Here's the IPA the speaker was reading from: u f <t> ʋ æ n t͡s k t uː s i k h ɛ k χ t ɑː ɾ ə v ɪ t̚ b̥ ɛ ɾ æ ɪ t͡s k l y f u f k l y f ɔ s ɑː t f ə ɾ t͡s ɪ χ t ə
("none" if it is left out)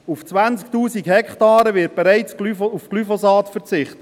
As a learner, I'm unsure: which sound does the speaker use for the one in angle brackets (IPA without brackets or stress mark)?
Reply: t͡s